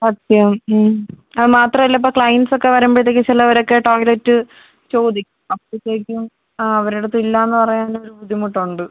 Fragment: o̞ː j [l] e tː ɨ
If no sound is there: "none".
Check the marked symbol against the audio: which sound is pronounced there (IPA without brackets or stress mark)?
l